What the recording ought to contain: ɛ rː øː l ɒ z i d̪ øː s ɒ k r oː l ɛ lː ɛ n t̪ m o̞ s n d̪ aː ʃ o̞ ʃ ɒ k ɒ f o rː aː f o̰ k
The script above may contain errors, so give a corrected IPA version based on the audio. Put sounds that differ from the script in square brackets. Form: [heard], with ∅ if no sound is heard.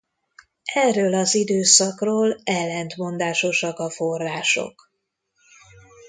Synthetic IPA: ɛ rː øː l ɒ z i d̪ øː s ɒ k r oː l ɛ lː ɛ n t̪ m o̞ [∅] n d̪ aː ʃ o̞ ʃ ɒ k ɒ f o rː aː [ʃ] o̰ k